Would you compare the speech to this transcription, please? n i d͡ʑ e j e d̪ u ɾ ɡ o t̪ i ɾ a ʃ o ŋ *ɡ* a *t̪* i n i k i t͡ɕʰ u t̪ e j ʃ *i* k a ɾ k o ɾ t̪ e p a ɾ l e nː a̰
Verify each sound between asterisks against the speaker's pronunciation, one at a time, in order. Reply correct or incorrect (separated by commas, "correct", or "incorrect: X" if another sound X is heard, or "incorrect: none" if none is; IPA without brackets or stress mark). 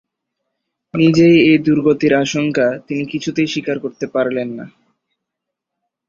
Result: incorrect: k, correct, correct